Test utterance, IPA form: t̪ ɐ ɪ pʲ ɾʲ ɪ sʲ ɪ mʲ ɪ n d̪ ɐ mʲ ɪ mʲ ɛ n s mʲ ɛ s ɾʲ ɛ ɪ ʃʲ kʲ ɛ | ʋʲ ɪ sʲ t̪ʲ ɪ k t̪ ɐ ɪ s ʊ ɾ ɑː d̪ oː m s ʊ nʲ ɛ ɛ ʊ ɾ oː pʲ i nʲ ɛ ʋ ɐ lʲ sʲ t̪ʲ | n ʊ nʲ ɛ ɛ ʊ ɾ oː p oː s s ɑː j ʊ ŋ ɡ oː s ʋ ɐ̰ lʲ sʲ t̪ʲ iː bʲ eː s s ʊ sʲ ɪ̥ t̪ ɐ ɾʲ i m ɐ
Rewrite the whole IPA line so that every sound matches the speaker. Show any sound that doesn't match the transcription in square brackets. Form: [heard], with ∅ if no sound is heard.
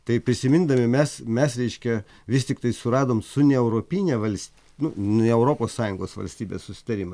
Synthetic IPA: t̪ ɐ ɪ pʲ ɾʲ ɪ sʲ ɪ mʲ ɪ n d̪ ɐ mʲ ɪ mʲ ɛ [∅] s mʲ ɛ s ɾʲ ɛ ɪ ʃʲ kʲ ɛ | ʋʲ ɪ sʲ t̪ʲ ɪ k t̪ ɐ ɪ s ʊ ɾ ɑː d̪ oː m s ʊ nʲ ɛ ɛ ʊ ɾ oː pʲ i nʲ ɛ ʋ ɐ lʲ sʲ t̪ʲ | n ʊ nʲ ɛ ɛ ʊ ɾ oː p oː s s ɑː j ʊ ŋ ɡ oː s ʋ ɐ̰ lʲ sʲ t̪ʲ iː bʲ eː s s ʊ sʲ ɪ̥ t̪ ɐ ɾʲ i m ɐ